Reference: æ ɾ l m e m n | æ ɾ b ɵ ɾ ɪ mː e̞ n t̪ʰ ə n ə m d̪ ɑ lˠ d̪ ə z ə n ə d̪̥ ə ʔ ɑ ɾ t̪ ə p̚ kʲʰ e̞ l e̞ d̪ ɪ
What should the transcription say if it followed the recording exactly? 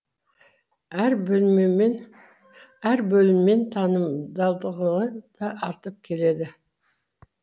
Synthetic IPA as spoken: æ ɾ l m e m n | æ ɾ b ɵ l ɪ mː e̞ n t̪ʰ ɑ n ə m d̪ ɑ lˠ d̪ ə ʁ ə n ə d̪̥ ɑ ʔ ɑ ɾ t̪ ə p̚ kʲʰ e̞ l e̞ d̪ ɪ